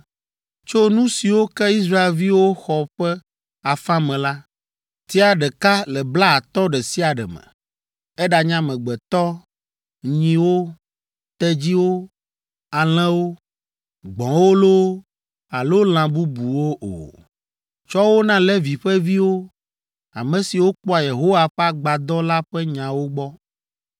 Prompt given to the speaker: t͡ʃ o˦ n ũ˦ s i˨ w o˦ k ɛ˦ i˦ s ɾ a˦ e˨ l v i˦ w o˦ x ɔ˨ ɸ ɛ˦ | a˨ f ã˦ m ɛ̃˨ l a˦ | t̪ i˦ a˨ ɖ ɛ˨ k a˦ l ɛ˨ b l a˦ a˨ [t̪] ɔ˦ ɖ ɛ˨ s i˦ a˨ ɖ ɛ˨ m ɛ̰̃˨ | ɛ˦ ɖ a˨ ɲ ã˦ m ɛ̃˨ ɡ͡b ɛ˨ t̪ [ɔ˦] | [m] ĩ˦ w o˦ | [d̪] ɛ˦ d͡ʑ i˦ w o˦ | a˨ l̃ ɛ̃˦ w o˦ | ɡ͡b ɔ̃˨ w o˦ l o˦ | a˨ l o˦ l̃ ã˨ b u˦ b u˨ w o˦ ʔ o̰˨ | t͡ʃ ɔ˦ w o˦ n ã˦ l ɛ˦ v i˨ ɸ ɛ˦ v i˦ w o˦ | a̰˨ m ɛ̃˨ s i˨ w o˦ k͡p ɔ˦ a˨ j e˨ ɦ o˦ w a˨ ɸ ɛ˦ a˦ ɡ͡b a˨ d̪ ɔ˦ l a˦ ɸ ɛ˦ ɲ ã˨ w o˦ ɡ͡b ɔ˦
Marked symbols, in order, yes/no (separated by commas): yes, yes, no, no